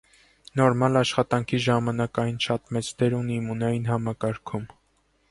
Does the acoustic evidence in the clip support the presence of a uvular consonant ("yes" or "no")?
yes